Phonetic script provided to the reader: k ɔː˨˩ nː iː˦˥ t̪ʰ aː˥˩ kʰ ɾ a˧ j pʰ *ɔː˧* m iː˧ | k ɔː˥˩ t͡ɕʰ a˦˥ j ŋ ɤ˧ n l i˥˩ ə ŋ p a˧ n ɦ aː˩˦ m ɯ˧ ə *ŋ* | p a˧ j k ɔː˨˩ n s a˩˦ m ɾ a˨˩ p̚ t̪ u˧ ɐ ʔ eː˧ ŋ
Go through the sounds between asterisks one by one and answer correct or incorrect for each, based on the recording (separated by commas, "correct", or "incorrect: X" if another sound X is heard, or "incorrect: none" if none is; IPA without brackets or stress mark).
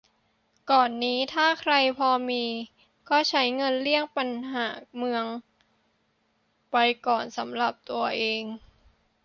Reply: correct, correct